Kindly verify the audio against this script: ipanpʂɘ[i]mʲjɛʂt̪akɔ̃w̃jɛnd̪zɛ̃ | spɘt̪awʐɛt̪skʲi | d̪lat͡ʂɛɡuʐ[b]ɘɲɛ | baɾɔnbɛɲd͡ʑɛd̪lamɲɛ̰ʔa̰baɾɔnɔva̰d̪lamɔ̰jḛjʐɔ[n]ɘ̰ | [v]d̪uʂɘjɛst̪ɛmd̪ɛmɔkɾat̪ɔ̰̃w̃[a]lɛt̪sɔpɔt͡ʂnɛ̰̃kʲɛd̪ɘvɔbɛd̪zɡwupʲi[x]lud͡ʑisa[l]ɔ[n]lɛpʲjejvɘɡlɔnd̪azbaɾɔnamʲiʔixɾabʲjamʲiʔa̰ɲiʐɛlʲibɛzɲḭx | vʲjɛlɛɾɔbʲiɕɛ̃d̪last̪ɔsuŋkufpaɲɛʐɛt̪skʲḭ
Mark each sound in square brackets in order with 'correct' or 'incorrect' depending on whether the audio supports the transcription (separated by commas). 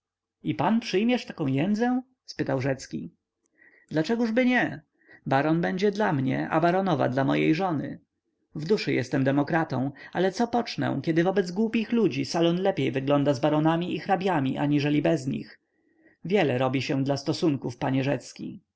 incorrect, correct, correct, correct, correct, correct, correct, correct